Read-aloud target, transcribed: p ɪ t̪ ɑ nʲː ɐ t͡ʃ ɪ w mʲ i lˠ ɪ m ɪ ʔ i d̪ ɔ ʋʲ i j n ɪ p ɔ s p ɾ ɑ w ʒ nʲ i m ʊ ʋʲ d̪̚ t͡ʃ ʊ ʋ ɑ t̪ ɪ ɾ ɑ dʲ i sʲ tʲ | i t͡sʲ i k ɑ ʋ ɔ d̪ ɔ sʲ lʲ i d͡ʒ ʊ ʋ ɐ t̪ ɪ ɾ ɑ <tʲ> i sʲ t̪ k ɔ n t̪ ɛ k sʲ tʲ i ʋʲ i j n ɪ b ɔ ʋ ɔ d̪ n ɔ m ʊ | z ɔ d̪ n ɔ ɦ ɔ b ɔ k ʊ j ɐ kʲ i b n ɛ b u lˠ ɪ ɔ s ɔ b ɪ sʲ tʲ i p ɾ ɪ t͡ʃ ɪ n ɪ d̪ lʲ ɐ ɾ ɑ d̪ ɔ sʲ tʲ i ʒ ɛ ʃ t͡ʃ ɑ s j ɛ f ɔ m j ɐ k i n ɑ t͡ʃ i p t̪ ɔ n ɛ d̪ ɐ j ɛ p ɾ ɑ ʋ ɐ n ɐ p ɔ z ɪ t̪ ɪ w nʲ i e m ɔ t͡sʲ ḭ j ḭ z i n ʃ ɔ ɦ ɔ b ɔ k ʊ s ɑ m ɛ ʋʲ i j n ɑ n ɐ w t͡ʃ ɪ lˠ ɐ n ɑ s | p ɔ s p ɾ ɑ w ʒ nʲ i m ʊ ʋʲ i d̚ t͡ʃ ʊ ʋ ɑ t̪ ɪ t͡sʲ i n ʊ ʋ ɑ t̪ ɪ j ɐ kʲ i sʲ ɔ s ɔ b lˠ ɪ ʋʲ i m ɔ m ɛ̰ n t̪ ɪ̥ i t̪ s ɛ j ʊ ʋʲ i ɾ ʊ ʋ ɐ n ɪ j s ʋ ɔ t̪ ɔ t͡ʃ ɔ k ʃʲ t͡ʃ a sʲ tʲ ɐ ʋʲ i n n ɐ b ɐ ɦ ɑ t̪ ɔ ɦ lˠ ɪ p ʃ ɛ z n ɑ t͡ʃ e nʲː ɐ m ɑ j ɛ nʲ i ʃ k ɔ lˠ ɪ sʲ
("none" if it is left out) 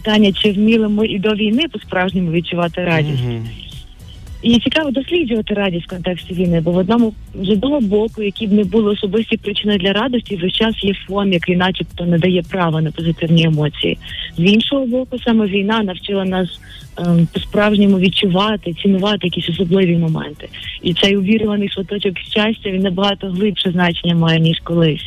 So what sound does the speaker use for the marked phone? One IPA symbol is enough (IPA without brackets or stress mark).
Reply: dʲ